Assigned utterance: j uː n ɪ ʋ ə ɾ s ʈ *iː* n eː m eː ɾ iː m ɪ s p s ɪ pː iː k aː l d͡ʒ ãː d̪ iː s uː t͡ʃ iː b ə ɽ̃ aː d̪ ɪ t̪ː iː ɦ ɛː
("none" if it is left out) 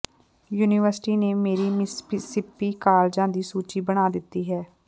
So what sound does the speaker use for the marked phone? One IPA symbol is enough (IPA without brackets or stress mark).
iː